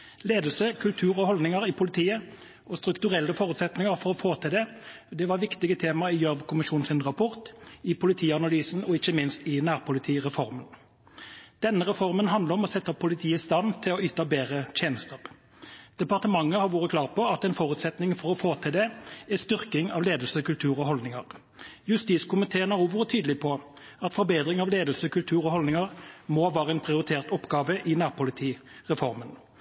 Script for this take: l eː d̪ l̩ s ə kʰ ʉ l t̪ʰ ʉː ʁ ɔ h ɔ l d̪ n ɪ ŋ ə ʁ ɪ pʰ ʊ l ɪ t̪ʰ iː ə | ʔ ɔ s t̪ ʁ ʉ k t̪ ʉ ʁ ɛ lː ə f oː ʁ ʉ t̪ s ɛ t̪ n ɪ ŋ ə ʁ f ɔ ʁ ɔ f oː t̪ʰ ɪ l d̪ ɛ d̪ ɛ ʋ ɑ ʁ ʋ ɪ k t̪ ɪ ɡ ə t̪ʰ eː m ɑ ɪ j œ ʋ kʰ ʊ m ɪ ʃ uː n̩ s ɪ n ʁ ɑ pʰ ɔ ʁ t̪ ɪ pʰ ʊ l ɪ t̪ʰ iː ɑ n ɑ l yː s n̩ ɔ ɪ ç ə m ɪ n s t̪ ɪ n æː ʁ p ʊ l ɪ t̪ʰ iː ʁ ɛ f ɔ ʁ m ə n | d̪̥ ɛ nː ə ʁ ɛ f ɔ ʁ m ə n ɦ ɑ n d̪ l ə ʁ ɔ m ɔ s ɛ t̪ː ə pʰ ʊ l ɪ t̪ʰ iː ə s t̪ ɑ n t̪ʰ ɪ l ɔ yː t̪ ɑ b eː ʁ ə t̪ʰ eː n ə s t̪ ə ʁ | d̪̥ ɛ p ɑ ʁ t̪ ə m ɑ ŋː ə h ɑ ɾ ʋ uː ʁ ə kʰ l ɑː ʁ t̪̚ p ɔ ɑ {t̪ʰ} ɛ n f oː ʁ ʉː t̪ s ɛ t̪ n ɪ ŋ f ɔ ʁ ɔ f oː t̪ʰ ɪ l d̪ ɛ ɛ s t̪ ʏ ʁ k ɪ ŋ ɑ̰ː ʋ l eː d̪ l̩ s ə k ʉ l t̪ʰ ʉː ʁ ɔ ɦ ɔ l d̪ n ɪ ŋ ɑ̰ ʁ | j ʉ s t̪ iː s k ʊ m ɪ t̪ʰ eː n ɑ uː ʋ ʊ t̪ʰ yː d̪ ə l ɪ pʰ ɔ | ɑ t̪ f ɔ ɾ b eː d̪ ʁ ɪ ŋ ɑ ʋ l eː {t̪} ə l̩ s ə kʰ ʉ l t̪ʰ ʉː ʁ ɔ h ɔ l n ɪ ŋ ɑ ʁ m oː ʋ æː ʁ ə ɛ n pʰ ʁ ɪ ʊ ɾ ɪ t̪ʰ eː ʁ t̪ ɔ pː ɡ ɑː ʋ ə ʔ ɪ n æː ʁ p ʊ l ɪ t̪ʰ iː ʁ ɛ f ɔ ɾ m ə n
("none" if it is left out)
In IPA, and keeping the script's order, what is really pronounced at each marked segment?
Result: t̪, d̪

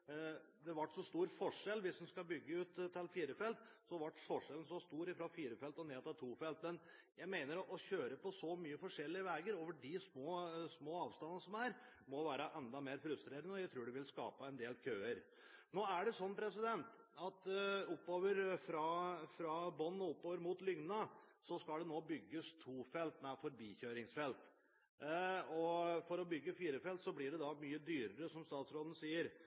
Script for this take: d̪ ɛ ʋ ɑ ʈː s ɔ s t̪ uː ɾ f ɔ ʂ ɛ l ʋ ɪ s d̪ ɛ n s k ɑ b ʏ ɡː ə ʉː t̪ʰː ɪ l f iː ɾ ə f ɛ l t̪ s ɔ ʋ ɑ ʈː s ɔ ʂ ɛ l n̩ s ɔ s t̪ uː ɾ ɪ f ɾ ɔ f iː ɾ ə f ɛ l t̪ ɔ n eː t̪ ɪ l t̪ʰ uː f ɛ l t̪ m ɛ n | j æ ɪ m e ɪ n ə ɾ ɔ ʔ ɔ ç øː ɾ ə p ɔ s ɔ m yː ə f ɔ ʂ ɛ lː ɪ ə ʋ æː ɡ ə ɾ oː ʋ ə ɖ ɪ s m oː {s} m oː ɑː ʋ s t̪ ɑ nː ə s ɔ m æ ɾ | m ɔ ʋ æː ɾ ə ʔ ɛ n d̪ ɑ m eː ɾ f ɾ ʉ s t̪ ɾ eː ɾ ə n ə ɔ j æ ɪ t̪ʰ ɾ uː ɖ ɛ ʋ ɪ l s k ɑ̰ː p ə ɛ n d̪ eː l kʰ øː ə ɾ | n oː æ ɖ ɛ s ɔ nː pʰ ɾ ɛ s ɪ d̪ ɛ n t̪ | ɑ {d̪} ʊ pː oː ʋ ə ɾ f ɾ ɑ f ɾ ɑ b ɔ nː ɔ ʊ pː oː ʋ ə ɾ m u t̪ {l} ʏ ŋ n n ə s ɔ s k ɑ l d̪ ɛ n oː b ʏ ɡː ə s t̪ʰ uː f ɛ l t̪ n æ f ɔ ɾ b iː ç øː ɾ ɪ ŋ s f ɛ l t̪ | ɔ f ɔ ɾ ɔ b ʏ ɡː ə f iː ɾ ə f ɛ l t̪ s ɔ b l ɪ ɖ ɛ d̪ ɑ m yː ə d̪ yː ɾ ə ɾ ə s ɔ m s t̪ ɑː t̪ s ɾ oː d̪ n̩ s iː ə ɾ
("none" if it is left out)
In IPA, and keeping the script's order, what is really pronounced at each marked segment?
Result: s, t̪, l

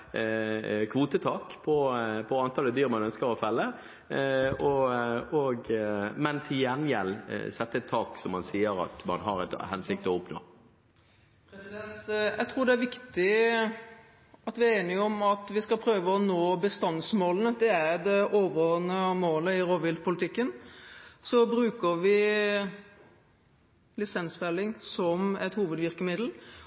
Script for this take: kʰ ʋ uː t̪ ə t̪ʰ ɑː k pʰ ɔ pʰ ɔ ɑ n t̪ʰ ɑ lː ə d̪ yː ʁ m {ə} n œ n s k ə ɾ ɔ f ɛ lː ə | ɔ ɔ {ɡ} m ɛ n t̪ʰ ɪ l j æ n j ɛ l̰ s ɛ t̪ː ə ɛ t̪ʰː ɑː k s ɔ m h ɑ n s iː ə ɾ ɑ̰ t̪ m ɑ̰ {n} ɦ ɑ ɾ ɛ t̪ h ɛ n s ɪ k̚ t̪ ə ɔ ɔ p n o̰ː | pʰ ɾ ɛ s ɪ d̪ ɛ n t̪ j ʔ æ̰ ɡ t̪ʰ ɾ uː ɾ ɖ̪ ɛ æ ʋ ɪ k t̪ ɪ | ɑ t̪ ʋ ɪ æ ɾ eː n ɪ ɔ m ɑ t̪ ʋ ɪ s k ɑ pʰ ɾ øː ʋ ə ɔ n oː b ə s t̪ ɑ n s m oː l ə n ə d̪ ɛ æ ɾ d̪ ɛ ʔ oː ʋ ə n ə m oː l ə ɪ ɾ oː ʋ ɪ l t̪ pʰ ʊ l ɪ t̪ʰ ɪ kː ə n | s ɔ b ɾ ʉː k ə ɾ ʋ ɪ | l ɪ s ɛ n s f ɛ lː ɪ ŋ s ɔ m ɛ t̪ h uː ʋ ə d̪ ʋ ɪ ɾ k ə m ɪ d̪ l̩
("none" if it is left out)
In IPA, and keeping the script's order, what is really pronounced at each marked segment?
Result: ɑ, ɡ, n

